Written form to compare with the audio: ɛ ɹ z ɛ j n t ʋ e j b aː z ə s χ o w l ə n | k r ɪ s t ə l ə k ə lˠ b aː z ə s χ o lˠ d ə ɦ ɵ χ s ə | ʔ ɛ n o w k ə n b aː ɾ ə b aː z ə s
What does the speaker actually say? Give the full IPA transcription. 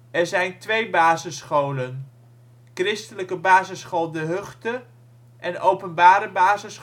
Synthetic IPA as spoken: ɛ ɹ z ɛ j n t ʋ e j b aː z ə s χ o w l ə n | k r ɪ s t ə l ə k ə b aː z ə s χ o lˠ d ə ɦ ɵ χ t ə | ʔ ɛ n o w p ə n b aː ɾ ə b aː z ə s